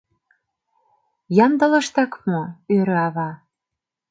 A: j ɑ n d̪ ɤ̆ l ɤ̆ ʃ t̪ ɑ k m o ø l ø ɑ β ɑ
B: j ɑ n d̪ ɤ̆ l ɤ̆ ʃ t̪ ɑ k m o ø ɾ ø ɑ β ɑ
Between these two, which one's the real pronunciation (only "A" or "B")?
B